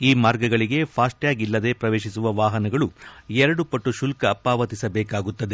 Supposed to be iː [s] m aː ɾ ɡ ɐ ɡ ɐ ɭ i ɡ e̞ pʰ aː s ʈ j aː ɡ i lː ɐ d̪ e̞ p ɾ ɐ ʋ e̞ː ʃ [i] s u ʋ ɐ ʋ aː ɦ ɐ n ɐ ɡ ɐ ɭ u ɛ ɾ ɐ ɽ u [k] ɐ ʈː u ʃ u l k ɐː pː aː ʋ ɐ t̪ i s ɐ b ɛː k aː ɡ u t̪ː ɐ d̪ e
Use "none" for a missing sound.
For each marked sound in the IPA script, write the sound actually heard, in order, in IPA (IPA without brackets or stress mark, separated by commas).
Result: none, i, p